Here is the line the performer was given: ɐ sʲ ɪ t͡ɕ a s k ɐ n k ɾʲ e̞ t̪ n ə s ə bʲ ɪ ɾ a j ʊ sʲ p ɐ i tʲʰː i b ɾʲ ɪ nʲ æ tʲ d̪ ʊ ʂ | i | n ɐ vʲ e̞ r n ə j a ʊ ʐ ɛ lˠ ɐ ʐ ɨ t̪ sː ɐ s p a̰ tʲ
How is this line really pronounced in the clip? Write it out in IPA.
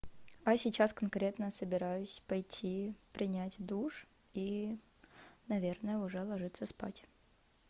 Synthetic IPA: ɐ sʲ ɪ t͡ɕ a s k ɐ n k ɾʲ e̞ t̪ n ə s ə bʲ ɪ ɾ a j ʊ sʲ p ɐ j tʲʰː i p ɾʲ ɪ nʲ æ tʲ d̪ u ʂ | i | n ɐ vʲ e̞ r n ə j ə ʊ ʐ ɛ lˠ ɐ ʐ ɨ t̪ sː ə s p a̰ tʲ